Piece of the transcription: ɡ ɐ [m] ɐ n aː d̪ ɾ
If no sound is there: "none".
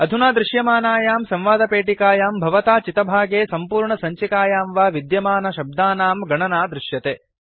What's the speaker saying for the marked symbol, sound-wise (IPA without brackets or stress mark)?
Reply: ɳ